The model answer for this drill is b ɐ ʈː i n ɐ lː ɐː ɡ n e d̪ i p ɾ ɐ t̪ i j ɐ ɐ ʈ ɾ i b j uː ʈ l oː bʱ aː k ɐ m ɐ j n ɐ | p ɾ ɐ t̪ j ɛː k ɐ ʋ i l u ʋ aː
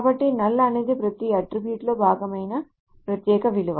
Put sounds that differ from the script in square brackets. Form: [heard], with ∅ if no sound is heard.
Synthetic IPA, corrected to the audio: b ɐ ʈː i n ɐ lː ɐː [∅] n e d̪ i p ɾ ɐ t̪ i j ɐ ɐ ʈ ɾ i b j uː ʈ l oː bʱ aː [ɡ] ɐ m ɐ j n ɐ | p ɾ ɐ t̪ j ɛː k ɐ ʋ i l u ʋ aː

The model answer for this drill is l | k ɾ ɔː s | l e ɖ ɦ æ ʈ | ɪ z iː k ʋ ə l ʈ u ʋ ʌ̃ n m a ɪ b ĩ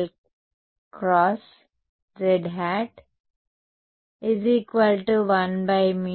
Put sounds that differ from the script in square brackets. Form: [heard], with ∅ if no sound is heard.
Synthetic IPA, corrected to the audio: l | k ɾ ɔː s | [ɾ] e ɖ ɦ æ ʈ | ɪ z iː k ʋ ə l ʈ u ʋ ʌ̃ n [b] a ɪ [m] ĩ

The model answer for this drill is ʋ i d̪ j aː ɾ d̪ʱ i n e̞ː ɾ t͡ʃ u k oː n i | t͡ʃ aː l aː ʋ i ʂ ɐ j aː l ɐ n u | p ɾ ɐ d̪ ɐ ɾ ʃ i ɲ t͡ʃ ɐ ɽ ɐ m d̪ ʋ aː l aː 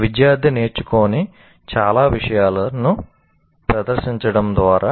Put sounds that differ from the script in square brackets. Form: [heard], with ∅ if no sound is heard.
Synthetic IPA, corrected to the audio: ʋ i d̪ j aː ɾ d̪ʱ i n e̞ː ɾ t͡ʃ u k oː n i | t͡ʃ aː l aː ʋ i ʂ ɐ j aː l ɐ n u | p ɾ ɐ d̪ ɐ ɾ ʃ i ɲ t͡ʃ ɐ ɽ ɐ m d̪ ʋ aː [ɾ] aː

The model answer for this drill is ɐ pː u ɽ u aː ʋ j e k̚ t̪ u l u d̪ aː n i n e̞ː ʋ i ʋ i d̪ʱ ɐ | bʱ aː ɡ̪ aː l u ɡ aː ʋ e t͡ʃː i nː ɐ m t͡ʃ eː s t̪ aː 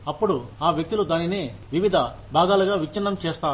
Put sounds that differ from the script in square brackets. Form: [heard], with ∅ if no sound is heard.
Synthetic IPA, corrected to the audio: ɐ pː u ɽ u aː ʋ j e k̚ t̪ u l u d̪ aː n i n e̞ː ʋ i ʋ i d̪ʱ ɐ | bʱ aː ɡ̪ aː l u ɡ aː ʋ [i] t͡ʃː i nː ɐ m t͡ʃ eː s t̪ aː

